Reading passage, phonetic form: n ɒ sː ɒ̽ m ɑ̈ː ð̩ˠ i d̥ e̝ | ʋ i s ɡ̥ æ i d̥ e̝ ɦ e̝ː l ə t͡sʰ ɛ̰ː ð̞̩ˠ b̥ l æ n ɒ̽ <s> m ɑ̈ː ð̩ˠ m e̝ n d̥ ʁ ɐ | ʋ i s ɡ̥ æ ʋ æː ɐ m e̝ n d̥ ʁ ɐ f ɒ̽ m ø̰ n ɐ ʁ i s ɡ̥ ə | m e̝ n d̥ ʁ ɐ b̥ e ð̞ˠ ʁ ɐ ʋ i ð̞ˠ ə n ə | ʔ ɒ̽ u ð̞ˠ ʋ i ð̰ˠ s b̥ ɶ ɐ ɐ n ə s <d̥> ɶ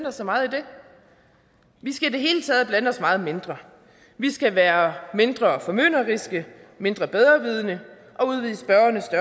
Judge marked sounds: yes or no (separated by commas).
yes, yes